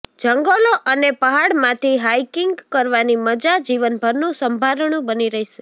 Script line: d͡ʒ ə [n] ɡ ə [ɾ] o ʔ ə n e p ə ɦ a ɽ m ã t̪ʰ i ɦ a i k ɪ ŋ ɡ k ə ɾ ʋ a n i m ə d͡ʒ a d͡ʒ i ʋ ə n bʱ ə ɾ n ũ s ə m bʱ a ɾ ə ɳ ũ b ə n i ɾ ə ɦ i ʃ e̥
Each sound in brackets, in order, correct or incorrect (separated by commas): incorrect, incorrect